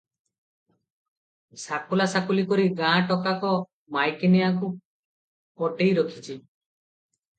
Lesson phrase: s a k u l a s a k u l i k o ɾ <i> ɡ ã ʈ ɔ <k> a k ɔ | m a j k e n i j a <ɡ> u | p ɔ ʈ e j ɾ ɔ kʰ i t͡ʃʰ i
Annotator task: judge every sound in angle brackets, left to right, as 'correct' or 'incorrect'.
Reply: correct, correct, incorrect: k

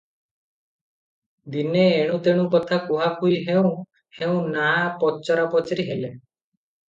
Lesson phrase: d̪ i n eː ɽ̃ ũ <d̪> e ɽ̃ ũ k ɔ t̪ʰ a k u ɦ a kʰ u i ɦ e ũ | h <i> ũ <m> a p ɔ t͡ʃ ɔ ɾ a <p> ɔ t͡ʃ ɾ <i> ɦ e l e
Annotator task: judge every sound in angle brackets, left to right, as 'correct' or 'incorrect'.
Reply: incorrect: t̪, incorrect: e, incorrect: n, correct, correct

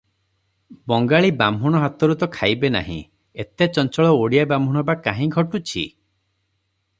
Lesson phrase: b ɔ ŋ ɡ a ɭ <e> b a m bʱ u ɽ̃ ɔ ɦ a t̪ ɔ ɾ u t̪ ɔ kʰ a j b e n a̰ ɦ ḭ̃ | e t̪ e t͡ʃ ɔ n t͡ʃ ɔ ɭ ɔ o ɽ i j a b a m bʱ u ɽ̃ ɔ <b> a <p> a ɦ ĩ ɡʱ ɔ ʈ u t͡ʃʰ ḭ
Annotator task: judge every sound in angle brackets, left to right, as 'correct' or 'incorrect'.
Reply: incorrect: i, correct, incorrect: k

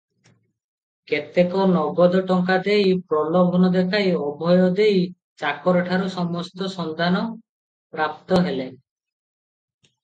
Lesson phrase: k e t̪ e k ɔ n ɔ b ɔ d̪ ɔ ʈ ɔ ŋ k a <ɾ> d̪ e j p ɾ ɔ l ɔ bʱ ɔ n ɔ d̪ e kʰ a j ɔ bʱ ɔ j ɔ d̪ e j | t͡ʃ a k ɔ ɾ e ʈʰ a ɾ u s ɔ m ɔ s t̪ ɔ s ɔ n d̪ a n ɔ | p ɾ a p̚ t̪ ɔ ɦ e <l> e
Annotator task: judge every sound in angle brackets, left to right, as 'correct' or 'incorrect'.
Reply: incorrect: none, correct

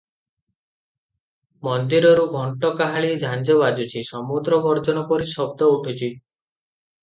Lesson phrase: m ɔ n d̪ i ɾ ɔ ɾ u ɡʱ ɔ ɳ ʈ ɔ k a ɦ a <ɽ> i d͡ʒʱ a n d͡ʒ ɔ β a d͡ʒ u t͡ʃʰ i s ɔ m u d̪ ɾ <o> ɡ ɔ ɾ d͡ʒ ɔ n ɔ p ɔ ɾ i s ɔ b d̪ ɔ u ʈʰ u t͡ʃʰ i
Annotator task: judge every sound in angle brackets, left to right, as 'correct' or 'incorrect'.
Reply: incorrect: ɭ, incorrect: ɔ

